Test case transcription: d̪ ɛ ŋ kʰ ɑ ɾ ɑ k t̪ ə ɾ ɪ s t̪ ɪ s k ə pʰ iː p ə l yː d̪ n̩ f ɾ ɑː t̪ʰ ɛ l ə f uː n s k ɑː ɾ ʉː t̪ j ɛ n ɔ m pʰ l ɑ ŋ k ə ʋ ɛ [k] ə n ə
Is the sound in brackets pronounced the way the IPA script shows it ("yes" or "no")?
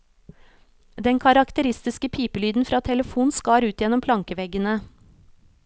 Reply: no